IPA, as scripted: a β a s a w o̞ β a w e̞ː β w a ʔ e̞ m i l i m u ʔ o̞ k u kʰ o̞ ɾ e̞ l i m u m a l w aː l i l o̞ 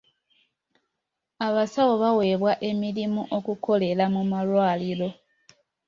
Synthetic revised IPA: a β a s a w o̞ β a w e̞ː β w a ʔ e̞ m i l i m u ʔ o̞ k u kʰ o̞ l e̞ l a m u m a l w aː l i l o̞